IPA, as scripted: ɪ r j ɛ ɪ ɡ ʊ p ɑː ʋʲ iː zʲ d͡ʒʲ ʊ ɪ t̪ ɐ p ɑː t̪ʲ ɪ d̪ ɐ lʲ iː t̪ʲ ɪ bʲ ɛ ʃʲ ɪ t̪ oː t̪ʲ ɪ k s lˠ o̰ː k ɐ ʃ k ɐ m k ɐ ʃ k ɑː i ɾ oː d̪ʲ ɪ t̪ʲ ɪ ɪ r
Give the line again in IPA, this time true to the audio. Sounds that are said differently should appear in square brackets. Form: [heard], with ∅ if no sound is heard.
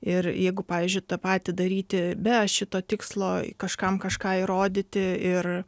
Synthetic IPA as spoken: ɪ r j ɛ ɪ ɡ ʊ p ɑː ʋʲ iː zʲ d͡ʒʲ ʊ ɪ t̪ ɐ p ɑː t̪ʲ ɪ d̪ ɐ [ɾʲ] iː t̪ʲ ɪ bʲ ɛ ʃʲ ɪ t̪ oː t̪ʲ ɪ k s lˠ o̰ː k ɐ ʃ k ɐ m k ɐ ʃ k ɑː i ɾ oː d̪ʲ ɪ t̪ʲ ɪ ɪ r